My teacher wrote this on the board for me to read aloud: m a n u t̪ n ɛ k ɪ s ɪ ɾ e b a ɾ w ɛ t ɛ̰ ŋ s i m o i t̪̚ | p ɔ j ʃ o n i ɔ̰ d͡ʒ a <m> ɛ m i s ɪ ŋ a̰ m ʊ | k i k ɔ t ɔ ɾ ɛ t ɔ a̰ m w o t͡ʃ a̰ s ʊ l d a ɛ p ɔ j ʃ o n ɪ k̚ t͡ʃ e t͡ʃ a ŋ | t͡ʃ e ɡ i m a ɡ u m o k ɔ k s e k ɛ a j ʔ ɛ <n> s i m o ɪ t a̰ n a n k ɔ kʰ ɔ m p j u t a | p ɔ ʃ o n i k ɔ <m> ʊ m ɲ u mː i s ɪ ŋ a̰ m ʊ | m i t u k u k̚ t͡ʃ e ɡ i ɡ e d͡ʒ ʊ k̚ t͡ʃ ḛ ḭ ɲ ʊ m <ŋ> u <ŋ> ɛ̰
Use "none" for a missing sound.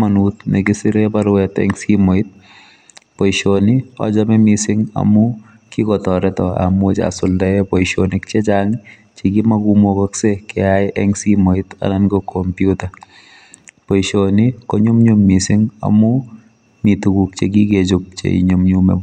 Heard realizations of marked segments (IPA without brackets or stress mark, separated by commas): m, ŋ, ɲ, ɲ, m